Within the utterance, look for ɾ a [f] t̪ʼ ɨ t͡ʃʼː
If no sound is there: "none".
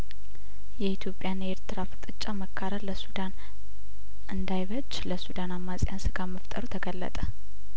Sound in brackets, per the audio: f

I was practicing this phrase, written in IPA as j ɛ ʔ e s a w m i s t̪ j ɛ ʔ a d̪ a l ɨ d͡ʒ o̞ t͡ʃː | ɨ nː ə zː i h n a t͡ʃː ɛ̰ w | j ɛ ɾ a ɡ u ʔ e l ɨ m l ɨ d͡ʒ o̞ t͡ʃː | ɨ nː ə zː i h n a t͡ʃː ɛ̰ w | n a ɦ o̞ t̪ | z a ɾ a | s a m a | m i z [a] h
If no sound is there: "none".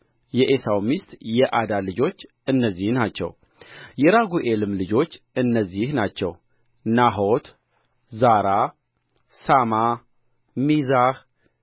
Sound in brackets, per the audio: a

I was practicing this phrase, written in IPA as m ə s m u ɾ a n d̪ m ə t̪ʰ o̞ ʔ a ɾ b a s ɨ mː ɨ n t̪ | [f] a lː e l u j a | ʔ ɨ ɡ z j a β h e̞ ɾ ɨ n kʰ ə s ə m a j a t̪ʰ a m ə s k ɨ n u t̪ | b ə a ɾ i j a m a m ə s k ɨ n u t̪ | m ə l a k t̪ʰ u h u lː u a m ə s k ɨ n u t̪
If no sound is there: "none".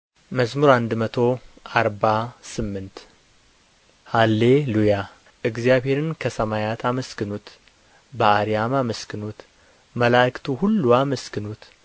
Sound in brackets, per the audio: h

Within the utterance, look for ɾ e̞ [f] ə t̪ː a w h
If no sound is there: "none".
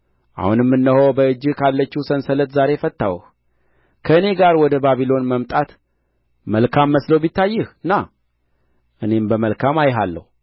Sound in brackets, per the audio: f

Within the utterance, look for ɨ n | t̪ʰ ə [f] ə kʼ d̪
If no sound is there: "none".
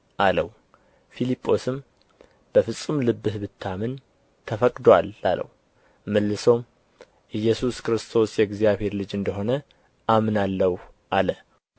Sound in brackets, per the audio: f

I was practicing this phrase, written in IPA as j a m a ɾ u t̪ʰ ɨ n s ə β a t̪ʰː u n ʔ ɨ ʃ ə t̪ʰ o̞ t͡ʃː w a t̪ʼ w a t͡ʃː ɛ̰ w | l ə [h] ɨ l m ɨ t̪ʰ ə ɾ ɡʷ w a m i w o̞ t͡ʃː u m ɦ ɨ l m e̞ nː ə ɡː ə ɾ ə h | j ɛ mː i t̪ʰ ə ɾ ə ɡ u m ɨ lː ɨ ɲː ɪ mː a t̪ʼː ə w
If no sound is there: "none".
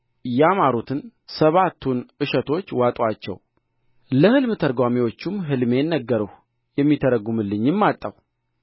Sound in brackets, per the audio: h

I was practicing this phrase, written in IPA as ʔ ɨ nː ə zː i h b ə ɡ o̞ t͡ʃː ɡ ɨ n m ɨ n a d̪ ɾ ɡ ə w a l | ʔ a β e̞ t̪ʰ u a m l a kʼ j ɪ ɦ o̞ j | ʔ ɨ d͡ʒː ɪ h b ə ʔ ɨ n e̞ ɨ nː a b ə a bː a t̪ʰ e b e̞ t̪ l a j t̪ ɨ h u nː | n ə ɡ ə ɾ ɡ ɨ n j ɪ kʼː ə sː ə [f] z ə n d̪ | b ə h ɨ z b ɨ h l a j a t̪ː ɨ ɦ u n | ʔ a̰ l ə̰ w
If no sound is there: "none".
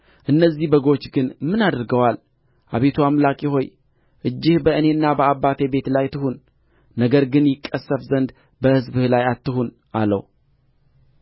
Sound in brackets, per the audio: f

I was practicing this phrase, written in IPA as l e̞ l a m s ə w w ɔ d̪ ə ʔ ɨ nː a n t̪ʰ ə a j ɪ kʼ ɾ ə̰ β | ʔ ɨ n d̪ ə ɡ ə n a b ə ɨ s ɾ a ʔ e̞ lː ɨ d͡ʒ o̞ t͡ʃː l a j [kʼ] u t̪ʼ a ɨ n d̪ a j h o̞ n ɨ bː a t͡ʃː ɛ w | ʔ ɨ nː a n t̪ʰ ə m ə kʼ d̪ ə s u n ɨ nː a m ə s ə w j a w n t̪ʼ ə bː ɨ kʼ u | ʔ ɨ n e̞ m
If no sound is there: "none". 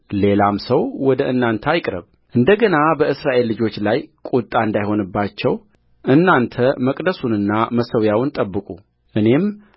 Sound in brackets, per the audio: kʼ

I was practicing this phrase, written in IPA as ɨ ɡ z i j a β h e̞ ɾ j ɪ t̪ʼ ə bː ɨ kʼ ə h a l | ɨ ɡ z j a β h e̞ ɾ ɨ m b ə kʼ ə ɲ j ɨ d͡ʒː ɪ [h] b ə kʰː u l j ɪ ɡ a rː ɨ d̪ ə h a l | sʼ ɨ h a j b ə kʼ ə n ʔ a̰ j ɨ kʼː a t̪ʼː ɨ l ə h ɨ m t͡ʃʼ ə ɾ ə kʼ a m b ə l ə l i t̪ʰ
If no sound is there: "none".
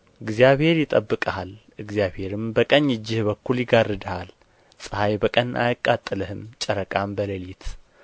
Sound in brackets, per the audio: h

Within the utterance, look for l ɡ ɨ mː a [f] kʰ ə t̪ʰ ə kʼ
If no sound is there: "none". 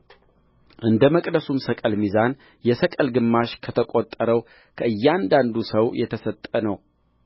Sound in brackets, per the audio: ʃ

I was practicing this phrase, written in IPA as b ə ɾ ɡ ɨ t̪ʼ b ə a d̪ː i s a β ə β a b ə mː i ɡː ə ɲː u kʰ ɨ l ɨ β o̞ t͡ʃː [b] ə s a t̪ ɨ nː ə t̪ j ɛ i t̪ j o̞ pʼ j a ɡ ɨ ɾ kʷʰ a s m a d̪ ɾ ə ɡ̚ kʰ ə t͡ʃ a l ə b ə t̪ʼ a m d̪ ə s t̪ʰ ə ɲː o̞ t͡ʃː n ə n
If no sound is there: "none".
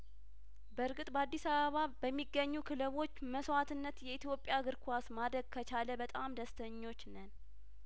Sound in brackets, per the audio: m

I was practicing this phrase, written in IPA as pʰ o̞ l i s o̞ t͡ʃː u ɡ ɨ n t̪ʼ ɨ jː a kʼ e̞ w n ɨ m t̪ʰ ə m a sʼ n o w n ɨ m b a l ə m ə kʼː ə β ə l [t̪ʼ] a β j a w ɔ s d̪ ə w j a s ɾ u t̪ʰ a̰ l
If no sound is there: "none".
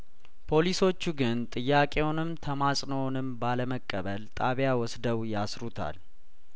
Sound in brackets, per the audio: t̪ʼ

